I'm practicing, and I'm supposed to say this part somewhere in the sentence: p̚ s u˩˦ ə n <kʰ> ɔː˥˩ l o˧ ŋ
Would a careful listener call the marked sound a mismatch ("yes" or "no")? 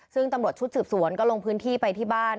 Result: yes